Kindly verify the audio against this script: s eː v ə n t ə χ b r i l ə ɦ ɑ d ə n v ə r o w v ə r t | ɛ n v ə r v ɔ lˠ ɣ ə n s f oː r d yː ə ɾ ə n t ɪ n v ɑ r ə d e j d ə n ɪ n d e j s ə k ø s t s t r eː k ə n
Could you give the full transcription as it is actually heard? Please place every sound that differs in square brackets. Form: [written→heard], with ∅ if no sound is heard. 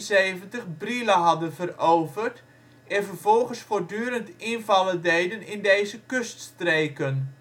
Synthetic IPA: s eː v ə n t ə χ b r i l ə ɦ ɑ d ə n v ə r o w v ə r t | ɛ n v ə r v ɔ lˠ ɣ ə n s f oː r d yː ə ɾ ə n t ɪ n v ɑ [r→l] ə d e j d ə n ɪ n d e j [s→z] ə k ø s t s t r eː k ə n